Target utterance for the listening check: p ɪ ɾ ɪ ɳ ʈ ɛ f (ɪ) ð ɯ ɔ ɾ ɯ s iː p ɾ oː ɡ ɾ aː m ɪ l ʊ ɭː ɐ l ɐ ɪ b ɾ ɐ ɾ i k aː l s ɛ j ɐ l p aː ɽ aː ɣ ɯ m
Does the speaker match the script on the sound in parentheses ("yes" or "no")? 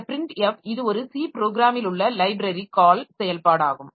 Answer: yes